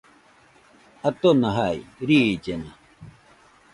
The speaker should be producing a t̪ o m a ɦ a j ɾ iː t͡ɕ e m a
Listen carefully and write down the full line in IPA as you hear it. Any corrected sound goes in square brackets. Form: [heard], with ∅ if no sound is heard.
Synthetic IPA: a t̪ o [n] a ɦ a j ɾ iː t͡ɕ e [n] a